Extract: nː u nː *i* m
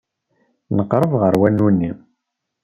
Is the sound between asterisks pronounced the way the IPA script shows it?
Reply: yes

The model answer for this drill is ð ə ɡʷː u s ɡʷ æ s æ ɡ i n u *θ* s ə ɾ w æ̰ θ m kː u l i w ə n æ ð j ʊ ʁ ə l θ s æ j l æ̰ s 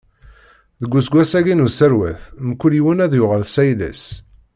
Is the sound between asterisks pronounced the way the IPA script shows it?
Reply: no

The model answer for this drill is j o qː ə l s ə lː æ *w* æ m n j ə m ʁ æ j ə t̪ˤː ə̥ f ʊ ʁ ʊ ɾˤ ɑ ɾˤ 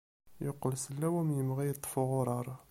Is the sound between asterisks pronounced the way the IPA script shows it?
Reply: yes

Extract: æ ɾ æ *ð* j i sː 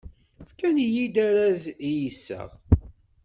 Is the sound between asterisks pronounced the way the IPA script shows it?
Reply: no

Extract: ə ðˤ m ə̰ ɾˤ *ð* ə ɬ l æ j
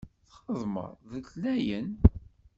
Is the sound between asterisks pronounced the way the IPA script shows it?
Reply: yes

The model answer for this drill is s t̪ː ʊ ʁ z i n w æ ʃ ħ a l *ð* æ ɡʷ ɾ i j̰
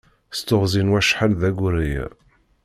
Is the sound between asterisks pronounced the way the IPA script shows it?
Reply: yes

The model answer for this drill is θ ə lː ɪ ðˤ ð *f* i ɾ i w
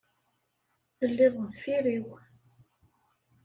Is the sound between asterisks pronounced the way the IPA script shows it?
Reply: yes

